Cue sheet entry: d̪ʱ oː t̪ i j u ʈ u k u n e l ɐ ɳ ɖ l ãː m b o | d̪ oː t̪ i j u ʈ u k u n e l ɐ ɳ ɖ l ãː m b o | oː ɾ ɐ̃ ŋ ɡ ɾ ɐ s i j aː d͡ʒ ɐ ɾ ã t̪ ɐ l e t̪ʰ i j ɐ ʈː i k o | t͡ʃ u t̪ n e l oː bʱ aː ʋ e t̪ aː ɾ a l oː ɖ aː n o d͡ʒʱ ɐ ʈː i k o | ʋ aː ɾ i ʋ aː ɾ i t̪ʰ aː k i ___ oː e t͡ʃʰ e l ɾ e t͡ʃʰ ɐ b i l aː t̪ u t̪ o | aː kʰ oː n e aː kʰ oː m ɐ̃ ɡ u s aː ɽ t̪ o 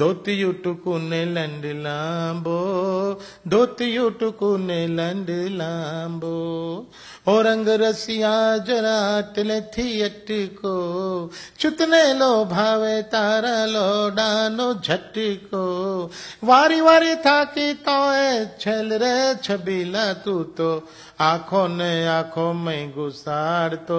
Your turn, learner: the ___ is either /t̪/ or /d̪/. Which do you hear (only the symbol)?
t̪